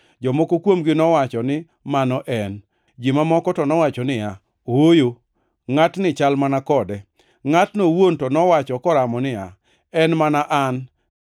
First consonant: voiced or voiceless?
voiced